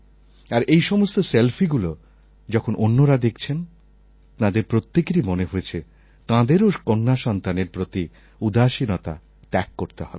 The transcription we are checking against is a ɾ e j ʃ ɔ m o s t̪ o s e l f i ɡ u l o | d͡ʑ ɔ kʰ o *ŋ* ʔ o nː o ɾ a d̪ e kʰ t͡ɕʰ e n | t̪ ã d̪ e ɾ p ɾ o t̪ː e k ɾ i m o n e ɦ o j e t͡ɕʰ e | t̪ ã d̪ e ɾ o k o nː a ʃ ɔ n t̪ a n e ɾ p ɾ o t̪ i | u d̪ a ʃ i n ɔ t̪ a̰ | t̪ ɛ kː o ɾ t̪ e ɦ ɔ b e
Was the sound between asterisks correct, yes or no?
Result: no